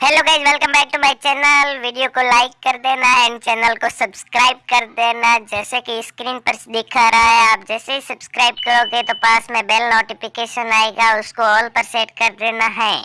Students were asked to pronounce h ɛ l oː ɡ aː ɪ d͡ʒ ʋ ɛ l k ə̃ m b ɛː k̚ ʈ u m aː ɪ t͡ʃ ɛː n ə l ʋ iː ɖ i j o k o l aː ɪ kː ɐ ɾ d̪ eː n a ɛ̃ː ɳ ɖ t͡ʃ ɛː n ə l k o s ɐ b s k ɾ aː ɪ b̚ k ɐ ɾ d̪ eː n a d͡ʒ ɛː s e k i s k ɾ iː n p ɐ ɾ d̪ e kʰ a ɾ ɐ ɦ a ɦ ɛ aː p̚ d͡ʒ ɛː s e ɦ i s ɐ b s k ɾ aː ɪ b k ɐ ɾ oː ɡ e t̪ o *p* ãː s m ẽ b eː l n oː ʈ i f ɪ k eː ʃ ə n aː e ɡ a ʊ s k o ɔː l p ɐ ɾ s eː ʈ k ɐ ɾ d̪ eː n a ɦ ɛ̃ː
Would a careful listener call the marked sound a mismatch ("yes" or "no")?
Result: no